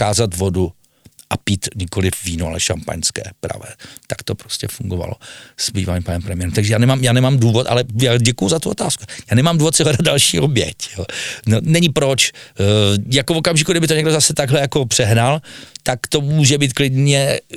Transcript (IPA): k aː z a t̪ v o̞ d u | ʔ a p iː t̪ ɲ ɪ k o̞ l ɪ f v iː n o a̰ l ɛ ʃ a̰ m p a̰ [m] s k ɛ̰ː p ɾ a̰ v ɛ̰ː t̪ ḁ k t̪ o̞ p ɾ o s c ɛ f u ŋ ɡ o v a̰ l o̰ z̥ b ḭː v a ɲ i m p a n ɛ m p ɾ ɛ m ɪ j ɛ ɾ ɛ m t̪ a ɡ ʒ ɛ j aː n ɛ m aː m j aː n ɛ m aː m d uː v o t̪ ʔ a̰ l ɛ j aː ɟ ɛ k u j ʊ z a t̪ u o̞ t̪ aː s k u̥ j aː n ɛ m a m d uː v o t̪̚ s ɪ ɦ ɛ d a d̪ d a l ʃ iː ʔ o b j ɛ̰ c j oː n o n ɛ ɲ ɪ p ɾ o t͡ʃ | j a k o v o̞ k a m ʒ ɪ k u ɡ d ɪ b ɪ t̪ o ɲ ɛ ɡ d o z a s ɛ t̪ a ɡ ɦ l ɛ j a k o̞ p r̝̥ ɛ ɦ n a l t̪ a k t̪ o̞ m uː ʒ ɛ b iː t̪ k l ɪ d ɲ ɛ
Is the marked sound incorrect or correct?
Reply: incorrect